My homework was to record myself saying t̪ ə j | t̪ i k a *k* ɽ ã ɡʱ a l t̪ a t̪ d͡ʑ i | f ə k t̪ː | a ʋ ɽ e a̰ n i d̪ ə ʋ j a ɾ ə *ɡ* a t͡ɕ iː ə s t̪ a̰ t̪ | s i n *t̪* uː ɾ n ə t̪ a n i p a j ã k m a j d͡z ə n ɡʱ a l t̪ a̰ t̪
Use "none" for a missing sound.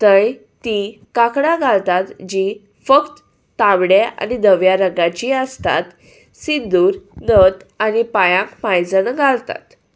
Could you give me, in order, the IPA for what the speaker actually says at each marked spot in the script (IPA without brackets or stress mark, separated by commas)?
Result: k, ɡ, d̪